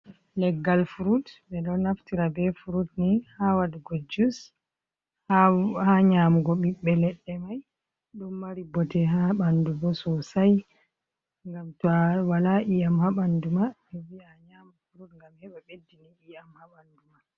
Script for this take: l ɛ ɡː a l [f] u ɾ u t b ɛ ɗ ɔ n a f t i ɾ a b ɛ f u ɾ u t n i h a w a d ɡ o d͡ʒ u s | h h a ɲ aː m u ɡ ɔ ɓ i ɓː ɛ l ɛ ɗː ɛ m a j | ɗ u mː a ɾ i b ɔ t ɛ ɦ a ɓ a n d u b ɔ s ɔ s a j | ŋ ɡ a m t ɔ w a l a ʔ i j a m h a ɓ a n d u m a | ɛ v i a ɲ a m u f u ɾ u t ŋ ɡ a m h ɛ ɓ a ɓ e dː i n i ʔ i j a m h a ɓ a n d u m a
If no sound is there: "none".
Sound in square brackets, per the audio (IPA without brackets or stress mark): f